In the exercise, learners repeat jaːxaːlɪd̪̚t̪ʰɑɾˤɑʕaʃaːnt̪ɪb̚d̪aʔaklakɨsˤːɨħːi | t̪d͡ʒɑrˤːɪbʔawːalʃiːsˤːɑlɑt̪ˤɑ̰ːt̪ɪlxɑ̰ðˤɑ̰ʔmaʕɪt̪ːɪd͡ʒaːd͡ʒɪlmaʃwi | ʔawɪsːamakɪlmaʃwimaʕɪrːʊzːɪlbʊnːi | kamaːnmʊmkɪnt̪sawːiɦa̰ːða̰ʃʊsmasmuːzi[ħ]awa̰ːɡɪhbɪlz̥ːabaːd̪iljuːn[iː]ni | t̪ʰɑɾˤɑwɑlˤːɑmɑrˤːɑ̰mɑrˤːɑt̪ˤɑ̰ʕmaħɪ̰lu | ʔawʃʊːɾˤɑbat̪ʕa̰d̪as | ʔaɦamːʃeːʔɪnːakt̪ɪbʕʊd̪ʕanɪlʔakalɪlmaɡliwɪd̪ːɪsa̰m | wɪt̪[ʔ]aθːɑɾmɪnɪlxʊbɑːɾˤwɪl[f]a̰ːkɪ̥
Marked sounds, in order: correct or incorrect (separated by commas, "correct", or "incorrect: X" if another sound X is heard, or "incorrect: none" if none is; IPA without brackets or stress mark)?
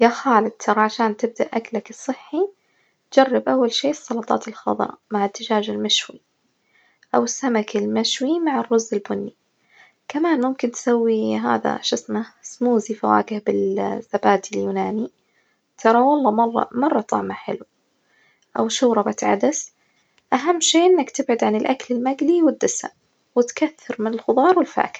incorrect: f, incorrect: aː, incorrect: k, correct